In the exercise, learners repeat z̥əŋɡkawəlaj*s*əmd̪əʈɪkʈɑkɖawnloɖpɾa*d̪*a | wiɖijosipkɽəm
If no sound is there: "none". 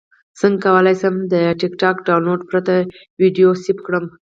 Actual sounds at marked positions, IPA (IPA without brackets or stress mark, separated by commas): s, t̪